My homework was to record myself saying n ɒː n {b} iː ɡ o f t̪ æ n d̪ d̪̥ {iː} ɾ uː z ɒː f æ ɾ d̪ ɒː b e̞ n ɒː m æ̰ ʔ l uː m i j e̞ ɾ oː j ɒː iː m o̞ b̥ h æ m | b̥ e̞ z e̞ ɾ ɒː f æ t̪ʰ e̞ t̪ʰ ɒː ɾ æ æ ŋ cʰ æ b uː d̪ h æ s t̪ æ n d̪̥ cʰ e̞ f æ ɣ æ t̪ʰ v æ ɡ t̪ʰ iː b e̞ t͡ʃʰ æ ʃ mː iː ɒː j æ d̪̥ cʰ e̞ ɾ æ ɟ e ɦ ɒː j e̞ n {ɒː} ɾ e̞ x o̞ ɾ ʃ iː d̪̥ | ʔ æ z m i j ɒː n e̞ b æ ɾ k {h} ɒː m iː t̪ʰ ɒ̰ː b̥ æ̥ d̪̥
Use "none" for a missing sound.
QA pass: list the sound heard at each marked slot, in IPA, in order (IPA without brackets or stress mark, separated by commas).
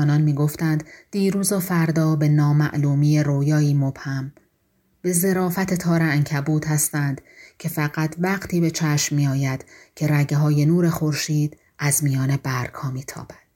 m, iː, uː, h